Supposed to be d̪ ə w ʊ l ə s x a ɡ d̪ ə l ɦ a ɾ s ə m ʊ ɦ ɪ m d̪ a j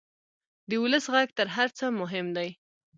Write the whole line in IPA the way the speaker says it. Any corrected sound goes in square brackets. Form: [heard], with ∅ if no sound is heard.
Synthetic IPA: d̪ ə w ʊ l ə s [ɣ] a ɡ [t̪] ə [ɾ] ɦ a ɾ [t͡s] ə m ʊ ɦ ɪ m d̪ a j